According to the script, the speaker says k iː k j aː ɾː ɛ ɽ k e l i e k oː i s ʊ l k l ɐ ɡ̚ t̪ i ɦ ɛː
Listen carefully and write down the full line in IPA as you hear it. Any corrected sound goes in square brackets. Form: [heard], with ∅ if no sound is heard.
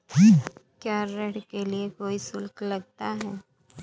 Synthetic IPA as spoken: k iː k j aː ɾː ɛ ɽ k e l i e k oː i s ʊ l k l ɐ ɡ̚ t̪ [a] ɦ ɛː